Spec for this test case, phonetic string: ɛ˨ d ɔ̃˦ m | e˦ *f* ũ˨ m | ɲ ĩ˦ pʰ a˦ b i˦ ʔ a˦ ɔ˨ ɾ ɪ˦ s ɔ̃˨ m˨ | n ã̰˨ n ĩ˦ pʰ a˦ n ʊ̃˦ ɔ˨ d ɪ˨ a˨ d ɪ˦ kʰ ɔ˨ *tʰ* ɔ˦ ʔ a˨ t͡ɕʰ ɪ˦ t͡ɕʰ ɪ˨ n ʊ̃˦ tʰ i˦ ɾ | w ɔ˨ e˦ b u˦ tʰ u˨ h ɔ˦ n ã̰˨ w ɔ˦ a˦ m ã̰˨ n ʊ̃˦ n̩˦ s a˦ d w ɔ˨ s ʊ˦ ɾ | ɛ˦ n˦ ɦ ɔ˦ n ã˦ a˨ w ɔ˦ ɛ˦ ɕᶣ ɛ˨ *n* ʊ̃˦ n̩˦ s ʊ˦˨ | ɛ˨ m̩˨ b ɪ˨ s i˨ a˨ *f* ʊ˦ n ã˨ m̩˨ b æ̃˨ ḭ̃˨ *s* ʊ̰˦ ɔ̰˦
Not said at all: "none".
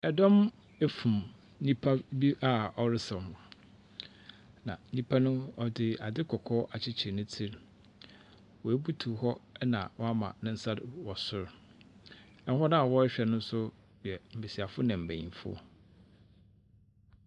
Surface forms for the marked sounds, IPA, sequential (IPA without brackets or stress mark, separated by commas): f, kʰ, n, f, f